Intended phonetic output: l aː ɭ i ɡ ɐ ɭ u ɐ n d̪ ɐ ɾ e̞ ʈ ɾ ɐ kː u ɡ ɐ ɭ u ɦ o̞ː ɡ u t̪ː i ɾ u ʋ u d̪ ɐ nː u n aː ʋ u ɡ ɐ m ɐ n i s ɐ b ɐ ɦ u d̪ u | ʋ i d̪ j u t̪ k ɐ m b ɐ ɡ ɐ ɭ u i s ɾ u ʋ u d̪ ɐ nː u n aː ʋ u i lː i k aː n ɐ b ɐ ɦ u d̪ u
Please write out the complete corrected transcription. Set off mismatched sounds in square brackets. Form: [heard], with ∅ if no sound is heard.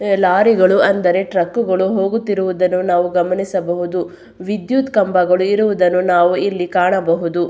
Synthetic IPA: l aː [ɾ] i ɡ ɐ ɭ u ɐ n d̪ ɐ ɾ e̞ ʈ ɾ ɐ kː u ɡ ɐ ɭ u ɦ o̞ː ɡ u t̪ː i ɾ u ʋ u d̪ ɐ nː u n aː ʋ u ɡ ɐ m ɐ n i s ɐ b ɐ ɦ u d̪ u | ʋ i d̪ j u t̪ k ɐ m b ɐ ɡ ɐ ɭ u i [∅] ɾ u ʋ u d̪ ɐ nː u n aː ʋ u i lː i k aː [ɳ] ɐ b ɐ ɦ u d̪ u